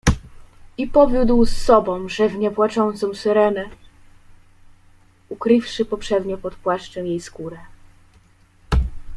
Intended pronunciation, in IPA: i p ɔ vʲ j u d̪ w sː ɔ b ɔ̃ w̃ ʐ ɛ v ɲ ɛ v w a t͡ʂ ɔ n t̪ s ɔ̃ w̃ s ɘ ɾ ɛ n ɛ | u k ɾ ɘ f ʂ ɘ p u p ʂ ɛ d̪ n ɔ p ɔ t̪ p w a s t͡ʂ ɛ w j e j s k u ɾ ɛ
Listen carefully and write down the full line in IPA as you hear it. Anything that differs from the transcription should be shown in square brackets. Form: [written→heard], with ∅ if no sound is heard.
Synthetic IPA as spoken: i p ɔ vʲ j u d̪ w sː ɔ b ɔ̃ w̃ ʐ ɛ v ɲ ɛ v w a t͡ʂ ɔ n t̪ s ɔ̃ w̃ s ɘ ɾ ɛ n ɛ | u k ɾ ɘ f ʂ ɘ p [u→ɔ] p ʂ ɛ d̪ [n→ɲ] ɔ p ɔ t̪ p w a [s→ʂ] t͡ʂ ɛ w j e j s k u ɾ ɛ